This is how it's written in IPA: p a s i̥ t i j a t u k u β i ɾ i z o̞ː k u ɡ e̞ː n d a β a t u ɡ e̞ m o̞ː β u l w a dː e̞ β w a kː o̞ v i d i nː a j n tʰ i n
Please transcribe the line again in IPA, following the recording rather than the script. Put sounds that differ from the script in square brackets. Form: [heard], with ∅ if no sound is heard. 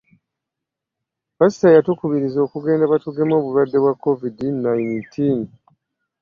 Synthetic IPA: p a s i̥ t [a] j a t u k u β i ɾ i z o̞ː k u ɡ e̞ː n d a β a t u ɡ e̞ m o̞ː β u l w a dː e̞ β w a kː o̞ v i d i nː a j n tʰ i n